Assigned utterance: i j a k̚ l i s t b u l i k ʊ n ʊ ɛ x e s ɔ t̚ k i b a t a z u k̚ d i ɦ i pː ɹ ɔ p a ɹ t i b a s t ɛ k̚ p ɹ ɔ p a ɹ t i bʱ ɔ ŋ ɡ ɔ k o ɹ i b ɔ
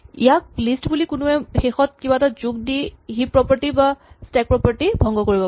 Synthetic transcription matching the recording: i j a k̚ l i s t b u l i k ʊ n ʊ ɛ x e x ɔ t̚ k i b a t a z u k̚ d i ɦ i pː ɹ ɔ p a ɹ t i b a s t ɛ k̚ p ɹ ɔ p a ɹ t i bʱ ɔ ŋ ɡ ɔ k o ɹ i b ɔ